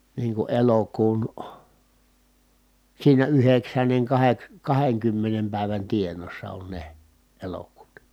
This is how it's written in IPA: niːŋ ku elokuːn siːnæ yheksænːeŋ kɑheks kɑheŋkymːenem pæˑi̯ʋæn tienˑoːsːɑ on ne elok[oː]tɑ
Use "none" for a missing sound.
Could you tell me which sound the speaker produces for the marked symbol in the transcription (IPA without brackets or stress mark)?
uː